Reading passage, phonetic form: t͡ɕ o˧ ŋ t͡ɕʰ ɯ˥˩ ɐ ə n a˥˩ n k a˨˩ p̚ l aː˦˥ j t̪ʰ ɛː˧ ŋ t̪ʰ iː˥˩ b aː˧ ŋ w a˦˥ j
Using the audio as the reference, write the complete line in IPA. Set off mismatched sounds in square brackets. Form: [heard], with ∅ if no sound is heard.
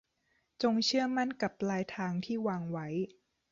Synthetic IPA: t͡ɕ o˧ ŋ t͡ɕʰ ɯ˥˩ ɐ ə [m] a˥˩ n k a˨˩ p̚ l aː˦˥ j t̪ʰ [aː˧] ŋ t̪ʰ iː˥˩ [w] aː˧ ŋ w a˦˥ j